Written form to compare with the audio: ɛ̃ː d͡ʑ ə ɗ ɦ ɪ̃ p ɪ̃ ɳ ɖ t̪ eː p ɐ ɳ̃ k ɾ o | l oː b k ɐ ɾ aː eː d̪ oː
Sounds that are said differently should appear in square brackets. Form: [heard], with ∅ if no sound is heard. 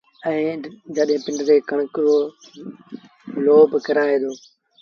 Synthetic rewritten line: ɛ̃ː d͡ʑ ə ɗ ɦ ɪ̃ p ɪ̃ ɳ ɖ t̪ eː [k] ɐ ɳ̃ k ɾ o | l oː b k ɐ ɾ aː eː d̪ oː